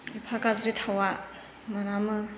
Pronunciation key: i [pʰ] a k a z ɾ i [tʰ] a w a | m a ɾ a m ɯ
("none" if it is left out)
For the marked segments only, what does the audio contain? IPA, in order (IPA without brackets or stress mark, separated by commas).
pʰ, tʰ